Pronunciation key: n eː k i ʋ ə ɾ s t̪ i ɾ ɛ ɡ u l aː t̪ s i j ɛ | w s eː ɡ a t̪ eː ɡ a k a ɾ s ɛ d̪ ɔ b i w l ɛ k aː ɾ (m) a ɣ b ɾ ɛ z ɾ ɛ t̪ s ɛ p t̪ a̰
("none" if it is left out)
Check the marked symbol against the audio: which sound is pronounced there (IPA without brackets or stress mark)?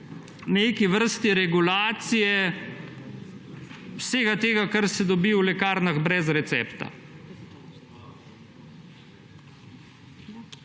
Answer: n